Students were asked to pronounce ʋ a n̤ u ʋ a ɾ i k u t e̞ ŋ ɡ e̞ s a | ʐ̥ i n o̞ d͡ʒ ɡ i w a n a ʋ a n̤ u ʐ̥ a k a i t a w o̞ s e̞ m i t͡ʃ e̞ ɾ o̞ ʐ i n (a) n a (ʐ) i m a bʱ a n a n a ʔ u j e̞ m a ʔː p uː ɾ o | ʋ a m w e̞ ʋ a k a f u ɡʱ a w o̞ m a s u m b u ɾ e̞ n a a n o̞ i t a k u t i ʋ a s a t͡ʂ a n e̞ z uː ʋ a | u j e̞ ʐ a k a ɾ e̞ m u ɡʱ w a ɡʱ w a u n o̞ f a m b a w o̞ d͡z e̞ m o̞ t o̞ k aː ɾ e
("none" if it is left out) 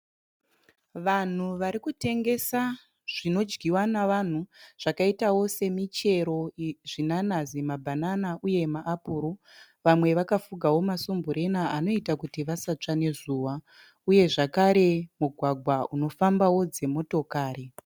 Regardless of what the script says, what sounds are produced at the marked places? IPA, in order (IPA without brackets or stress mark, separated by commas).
a, z